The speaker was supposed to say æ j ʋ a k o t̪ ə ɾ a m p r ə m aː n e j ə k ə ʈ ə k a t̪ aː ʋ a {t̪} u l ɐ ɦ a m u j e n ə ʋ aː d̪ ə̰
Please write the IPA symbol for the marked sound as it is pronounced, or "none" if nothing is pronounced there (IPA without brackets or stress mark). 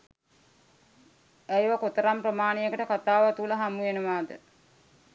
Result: t̪